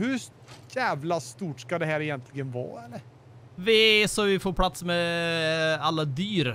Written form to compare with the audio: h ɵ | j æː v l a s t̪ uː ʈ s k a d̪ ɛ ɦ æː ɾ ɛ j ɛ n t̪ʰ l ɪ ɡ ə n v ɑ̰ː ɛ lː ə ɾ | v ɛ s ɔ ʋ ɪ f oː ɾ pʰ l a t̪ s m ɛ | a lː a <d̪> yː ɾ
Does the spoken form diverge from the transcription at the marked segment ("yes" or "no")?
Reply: no